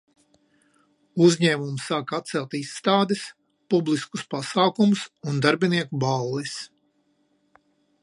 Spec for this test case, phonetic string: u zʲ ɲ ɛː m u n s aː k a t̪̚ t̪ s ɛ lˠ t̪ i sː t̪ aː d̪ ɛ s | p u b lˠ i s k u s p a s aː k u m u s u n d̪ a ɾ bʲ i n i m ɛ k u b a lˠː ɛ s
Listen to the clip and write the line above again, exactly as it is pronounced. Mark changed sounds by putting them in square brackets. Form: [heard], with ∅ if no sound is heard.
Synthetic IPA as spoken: u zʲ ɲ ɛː m u [m] s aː k a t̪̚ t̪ s ɛ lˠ t̪ i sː t̪ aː d̪ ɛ s | p u b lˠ i s k u s p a s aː k u m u s u n d̪ a ɾ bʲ i n i [∅] ɛ k u b a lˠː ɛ s